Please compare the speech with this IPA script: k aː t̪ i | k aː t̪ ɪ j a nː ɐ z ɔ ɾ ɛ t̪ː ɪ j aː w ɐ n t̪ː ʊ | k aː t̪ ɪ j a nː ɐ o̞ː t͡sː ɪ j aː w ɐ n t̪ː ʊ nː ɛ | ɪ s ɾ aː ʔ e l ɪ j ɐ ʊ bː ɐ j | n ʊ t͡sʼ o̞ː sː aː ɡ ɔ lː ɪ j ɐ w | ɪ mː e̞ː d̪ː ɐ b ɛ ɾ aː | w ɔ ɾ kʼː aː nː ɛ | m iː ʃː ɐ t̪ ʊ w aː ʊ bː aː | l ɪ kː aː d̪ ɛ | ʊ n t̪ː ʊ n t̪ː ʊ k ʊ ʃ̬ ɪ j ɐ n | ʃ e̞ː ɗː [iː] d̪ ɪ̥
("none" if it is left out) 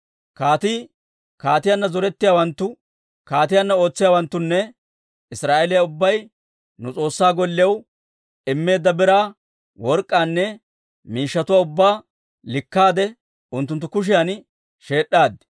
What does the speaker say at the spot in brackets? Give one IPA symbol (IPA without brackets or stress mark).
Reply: aː